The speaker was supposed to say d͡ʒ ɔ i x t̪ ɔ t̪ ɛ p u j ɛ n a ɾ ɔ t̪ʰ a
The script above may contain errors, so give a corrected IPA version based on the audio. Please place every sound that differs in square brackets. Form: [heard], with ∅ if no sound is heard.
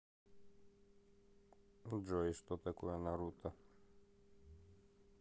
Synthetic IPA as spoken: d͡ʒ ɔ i [s] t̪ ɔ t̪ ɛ [k] u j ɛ n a ɾ [u] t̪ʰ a